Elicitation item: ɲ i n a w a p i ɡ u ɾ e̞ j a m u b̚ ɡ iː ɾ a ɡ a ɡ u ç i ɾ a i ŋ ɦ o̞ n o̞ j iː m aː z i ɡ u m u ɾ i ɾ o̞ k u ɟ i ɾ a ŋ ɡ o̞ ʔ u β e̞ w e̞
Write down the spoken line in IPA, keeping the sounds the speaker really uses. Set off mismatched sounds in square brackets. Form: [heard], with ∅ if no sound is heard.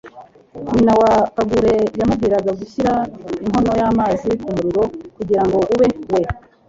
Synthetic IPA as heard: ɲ i n a w a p [a] ɡ u ɾ e̞ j a m u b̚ ɡ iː ɾ a ɡ a ɡ u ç i ɾ a i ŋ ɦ o̞ n o̞ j [aː] m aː z i [k] u m u ɾ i ɾ o̞ k u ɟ i ɾ a ŋ ɡ o̞ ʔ u β e̞ w e̞